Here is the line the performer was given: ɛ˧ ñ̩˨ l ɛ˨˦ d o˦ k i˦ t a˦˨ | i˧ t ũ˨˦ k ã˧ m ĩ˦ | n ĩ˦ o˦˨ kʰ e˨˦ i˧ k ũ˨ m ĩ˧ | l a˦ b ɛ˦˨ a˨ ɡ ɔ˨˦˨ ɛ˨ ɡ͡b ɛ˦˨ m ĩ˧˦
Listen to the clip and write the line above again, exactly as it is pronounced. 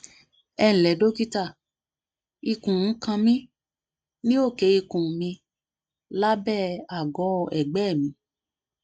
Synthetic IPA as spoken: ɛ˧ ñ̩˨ l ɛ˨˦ d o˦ k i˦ t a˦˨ | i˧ k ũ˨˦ k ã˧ m ĩ˦ | n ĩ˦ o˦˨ k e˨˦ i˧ k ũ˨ m ĩ˧ | l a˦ b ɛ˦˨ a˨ ɡ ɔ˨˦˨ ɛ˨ ɡ͡b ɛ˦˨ m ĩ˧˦

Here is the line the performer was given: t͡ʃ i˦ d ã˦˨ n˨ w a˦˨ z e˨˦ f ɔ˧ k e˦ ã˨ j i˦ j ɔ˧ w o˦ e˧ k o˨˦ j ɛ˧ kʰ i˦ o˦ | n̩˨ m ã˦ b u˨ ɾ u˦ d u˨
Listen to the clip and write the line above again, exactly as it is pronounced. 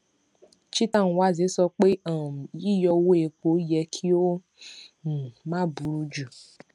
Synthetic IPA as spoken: t͡ʃ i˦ t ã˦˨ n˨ w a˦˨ z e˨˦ s ɔ˧ k͡p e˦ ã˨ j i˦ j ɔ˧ w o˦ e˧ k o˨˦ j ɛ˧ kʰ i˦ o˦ | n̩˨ m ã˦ b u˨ ɾ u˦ d͡ʒ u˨

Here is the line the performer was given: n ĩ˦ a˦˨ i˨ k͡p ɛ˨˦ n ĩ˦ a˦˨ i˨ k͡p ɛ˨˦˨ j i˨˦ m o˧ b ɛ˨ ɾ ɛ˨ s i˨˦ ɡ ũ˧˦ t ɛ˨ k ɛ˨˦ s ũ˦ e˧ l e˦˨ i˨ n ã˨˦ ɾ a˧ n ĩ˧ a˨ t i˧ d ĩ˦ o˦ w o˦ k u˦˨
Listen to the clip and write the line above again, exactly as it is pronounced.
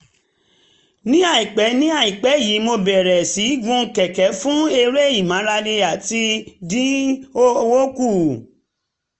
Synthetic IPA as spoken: n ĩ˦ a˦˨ i˨ k͡p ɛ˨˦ n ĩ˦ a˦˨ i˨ k͡p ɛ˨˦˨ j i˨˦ m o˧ b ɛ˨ ɾ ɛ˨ s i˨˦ ɡ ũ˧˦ k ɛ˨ k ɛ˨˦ f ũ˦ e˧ ɾ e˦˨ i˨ m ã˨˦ ɾ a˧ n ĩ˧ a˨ t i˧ d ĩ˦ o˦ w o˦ k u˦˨

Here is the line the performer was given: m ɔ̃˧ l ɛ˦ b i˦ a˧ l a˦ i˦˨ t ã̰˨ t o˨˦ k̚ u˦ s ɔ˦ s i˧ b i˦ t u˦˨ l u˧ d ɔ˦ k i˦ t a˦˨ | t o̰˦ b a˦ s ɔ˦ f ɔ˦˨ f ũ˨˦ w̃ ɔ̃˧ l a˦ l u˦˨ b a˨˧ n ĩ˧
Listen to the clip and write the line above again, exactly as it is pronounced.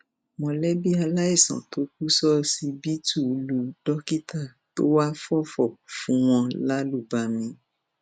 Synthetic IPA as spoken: m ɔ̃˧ l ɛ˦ b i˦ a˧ l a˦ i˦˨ s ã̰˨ t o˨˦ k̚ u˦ s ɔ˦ s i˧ b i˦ t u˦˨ l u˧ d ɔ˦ k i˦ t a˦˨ | t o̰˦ w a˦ f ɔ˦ f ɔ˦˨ f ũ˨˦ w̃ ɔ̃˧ l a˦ l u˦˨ b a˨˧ m ĩ˧

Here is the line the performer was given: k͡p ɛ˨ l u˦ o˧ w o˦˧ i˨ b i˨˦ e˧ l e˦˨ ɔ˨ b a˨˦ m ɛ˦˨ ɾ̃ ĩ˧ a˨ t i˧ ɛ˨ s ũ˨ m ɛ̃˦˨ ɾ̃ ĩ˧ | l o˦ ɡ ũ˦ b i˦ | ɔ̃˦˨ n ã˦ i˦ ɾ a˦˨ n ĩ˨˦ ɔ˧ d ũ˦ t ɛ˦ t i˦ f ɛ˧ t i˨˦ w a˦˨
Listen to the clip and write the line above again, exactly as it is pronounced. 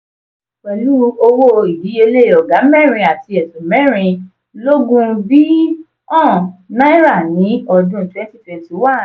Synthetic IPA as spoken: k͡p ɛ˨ l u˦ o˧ w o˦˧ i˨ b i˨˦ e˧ l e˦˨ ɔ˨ ɡ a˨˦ m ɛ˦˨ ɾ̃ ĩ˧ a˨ t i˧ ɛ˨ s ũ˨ m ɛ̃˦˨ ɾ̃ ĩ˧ | l o˦ ɡ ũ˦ b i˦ | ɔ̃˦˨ n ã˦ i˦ ɾ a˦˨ n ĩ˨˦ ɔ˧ d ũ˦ t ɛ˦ t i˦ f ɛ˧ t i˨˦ w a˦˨

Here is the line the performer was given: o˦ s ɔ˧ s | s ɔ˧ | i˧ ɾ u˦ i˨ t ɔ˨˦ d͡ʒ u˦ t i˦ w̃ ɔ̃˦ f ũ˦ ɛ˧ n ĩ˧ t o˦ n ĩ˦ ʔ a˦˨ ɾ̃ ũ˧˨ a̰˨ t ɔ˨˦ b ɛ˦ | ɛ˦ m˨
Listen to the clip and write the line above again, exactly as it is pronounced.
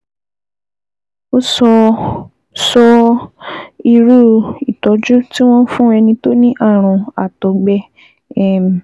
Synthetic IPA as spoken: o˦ s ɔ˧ | s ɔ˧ | i˧ ɾ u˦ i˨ t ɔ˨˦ d͡ʒ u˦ t i˦ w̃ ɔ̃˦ f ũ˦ ɛ˧ n ĩ˧ t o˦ n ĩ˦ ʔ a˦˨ ɾ̃ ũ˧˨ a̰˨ t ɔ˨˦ ɡ͡b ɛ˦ | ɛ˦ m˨

